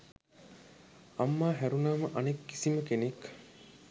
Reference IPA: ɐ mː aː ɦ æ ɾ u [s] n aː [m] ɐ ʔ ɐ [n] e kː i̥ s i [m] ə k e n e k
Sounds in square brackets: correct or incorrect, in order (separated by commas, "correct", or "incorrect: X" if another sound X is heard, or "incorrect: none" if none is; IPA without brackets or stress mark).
incorrect: none, correct, correct, correct